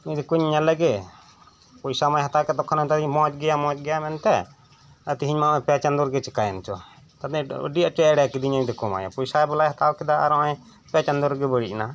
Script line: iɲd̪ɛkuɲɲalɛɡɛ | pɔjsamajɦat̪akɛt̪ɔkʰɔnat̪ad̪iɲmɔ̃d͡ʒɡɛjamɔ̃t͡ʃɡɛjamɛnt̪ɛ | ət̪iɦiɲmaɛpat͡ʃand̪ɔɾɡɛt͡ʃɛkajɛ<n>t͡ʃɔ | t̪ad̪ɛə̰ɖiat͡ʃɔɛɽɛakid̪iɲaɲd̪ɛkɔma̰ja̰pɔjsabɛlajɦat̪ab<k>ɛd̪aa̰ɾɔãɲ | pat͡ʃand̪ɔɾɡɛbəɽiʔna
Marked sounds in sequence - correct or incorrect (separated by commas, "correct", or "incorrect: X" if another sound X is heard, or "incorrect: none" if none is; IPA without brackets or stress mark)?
correct, correct